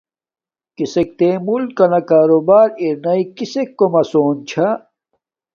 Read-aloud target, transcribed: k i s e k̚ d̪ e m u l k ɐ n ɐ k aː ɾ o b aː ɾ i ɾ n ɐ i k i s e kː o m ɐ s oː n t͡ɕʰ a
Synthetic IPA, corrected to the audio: k i s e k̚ t̪ e m u l k ɐ n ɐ k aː ɾ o b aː ɾ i ɾ n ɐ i k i s e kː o m ɐ s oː n t͡ɕʰ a

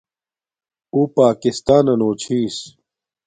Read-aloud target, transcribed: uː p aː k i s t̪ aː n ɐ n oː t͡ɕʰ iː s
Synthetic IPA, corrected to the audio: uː p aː k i s t̪ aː n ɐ n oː t͡ɕʰ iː s

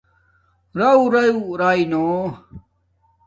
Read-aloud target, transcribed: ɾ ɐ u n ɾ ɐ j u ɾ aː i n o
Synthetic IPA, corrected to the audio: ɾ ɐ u ɾ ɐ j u ɾ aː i n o

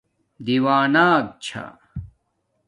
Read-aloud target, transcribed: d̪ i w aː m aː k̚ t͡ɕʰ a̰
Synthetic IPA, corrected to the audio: d̪ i w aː n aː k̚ t͡ɕʰ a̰

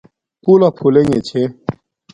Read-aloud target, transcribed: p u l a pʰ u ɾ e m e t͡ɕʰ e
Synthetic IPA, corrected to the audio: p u l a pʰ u l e ŋ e t͡ɕʰ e

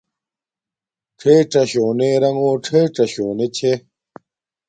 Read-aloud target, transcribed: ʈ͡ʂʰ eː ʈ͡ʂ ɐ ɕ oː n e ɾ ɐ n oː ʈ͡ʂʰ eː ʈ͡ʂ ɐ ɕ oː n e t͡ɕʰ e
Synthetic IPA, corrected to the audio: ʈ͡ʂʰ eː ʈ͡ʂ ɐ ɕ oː n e ɾ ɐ ŋ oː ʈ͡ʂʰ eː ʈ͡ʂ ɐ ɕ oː n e t͡ɕʰ e

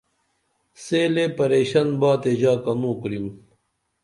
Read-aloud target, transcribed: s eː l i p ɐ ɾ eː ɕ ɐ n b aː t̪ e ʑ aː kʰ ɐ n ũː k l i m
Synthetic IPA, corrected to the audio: s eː l e p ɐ ɾ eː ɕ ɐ n b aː t̪ e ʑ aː k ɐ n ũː k ɾ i m

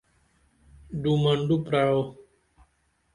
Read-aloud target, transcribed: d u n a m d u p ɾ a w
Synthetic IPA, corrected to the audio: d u m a n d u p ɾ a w

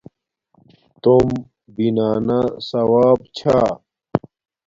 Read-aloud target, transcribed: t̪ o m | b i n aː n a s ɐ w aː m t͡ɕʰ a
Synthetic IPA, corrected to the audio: t̪ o m | b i n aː n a s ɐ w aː b t͡ɕʰ a

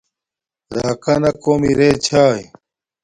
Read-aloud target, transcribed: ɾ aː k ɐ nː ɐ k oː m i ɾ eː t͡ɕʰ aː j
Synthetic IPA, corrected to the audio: ɾ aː k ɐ n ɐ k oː m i ɾ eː t͡ɕʰ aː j

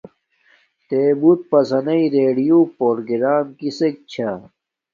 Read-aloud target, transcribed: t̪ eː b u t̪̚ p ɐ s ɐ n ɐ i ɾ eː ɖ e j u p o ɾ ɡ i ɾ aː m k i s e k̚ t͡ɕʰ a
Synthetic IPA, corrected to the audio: t̪ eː b u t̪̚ p ɐ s ɐ n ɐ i ɾ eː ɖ i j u p o ɾ ɡ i ɾ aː m k i s e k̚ t͡ɕʰ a

